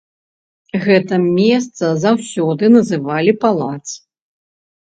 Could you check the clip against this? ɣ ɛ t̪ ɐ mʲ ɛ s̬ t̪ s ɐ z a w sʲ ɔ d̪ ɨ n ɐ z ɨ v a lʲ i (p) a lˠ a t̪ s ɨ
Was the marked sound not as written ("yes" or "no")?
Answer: no